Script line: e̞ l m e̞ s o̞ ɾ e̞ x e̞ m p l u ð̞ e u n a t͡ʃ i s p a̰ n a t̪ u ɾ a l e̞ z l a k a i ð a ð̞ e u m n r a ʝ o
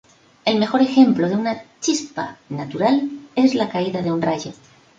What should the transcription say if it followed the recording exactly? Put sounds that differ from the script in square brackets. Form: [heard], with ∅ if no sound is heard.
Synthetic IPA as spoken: e̞ l m e̞ [x] o̞ ɾ e̞ x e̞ m p l [o] ð̞ e u n a t͡ʃ i s p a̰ n a t̪ u ɾ a l e̞ z l a k a i ð a ð̞ e u [∅] n r a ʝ o